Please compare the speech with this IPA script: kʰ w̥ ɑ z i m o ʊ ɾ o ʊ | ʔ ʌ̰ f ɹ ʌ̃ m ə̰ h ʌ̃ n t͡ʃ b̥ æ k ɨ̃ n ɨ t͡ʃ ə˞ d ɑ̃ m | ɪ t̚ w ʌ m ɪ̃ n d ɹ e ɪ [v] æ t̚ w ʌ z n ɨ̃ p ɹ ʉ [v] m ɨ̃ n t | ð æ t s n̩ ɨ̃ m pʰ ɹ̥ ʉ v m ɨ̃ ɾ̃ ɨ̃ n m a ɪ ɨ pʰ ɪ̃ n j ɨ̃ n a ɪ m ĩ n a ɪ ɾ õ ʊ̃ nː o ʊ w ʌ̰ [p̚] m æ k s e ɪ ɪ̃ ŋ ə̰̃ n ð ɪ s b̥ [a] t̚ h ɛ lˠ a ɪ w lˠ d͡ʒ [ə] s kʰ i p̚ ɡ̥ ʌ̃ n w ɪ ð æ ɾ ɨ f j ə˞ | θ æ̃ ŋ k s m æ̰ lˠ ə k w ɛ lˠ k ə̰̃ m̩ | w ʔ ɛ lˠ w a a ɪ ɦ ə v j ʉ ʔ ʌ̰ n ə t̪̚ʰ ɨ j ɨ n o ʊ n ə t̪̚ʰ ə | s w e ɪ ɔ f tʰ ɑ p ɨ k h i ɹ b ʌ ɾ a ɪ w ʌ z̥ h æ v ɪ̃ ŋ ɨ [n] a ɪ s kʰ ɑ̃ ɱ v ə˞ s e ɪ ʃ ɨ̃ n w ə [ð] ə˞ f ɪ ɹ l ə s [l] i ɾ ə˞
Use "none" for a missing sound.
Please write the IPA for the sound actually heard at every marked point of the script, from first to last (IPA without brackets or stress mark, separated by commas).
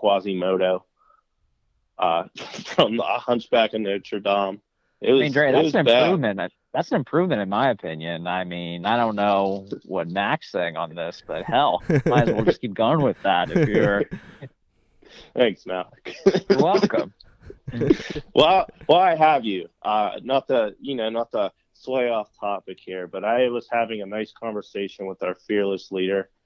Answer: ð, v, t̚, ʌ, ʌ, n, ð, l